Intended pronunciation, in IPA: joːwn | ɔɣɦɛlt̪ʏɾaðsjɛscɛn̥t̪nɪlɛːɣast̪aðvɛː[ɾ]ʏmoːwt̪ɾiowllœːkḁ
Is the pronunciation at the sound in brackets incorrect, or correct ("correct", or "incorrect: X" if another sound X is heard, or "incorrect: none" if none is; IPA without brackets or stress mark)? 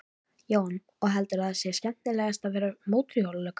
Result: correct